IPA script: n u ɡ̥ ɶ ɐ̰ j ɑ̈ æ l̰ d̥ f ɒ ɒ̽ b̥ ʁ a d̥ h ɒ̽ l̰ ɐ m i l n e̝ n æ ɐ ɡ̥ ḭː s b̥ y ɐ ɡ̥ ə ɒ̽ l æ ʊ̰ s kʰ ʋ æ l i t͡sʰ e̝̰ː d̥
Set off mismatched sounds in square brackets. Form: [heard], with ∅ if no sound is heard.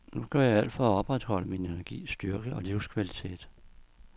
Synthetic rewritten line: n u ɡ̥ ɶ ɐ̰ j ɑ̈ æ l̰ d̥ f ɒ ɒ̽ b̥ ʁ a d̥ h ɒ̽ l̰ [ə] m i [∅] n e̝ n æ ɐ ɡ̥ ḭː s [d̥] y ɐ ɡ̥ ə ɒ̽ l [i] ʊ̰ s kʰ ʋ æ l i t͡sʰ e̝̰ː d̥